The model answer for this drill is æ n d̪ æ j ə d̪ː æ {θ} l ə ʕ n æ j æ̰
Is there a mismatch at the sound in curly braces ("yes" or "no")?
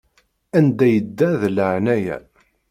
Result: yes